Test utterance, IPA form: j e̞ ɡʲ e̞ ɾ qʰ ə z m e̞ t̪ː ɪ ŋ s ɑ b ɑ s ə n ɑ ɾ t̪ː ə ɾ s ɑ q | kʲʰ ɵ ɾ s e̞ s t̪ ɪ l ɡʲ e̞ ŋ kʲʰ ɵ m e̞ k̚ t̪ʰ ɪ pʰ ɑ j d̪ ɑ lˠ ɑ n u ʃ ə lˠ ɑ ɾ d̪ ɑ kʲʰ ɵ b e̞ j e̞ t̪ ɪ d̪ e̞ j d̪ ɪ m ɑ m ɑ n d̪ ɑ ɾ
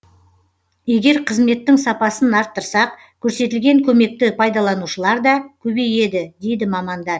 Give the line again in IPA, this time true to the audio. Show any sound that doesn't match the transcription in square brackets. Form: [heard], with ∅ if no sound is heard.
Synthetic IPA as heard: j e̞ ɡʲ e̞ ɾ qʰ ə z m e̞ t̪ː ɪ ŋ s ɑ [p] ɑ s ə n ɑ ɾ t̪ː ə ɾ s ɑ q | kʲʰ ɵ ɾ s e̞ [∅] t̪ ɪ l ɡʲ e̞ ŋ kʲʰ ɵ m e̞ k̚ [t̪] ɪ pʰ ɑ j d̪ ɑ lˠ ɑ n u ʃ ə lˠ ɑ ɾ d̪ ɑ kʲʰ ɵ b e̞ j e̞ [d̪] ɪ d̪ e̞ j d̪ ɪ m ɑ m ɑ n d̪ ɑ ɾ